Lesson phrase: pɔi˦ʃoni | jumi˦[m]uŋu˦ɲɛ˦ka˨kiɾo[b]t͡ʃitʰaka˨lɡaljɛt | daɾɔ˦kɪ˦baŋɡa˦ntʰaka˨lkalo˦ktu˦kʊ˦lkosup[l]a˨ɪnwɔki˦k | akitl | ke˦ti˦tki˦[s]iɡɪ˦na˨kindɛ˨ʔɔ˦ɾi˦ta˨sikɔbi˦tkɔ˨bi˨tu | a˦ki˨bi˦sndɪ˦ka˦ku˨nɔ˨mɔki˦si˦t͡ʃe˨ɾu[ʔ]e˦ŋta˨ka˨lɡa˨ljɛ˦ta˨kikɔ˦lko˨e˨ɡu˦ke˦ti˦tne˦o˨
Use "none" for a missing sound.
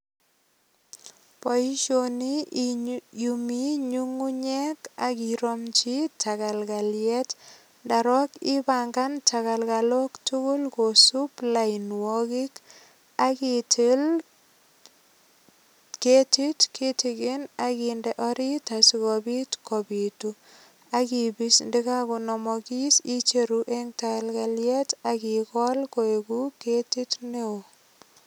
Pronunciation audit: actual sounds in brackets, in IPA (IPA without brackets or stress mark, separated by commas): ɲ, m, l, t, ʔ